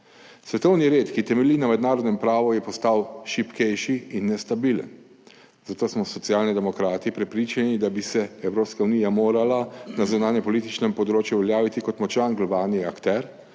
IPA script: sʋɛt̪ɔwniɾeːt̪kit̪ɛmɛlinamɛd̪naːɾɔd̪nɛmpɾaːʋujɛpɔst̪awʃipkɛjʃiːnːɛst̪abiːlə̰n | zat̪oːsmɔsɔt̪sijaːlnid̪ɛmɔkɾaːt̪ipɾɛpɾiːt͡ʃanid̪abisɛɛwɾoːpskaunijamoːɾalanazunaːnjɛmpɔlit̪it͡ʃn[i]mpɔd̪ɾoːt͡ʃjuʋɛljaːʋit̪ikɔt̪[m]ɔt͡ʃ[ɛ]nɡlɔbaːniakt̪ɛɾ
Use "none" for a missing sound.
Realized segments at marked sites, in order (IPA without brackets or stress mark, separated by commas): ɛ, m, a